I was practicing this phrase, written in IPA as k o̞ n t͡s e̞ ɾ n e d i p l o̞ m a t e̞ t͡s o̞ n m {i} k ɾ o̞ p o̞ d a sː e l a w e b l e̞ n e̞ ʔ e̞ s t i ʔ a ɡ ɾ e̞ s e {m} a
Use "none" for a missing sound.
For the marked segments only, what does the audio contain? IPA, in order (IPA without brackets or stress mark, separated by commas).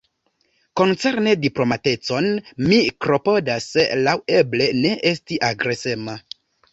i, m